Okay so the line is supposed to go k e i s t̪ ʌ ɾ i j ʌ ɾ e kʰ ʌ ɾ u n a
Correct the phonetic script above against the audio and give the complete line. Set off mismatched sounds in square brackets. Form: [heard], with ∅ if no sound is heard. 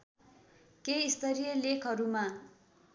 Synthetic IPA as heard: k e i s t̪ ʌ ɾ i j ʌ [l] e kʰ ʌ ɾ u [m] a